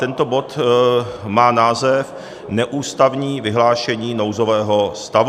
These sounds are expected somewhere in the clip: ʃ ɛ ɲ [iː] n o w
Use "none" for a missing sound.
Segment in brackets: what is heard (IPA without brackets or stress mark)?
iː